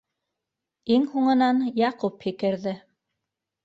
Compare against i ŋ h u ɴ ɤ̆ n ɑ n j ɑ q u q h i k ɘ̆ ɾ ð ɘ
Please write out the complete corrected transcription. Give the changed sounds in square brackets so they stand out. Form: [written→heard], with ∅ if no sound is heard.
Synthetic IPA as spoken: i ŋ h u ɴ ɤ̆ n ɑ n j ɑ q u [q→p] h i k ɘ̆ ɾ ð ɘ